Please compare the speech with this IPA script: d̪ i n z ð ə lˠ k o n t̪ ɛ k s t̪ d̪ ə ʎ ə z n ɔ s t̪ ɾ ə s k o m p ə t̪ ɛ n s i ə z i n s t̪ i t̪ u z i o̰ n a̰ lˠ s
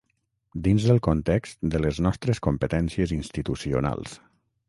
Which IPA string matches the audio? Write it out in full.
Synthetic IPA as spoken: d̪ i n z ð ə lˠ k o n t̪ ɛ k s t̪ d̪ ə l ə z n ɔ s t̪ ɾ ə s k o m p ə t̪ ɛ n s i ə z i n s t̪ i t̪ u s i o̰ n a̰ lˠ s